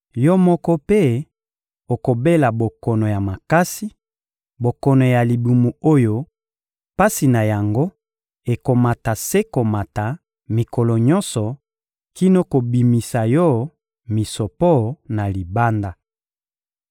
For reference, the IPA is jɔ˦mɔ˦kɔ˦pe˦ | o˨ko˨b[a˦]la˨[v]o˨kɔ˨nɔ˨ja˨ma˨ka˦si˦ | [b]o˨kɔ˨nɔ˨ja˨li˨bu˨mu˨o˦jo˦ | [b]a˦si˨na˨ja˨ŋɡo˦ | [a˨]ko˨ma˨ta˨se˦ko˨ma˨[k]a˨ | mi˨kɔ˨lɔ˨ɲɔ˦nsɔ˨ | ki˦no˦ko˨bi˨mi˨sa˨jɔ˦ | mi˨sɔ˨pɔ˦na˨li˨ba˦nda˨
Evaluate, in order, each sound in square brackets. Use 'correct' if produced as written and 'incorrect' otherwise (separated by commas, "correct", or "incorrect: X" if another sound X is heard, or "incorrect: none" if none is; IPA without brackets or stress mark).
incorrect: e˦, incorrect: b, correct, incorrect: p, incorrect: e˨, incorrect: t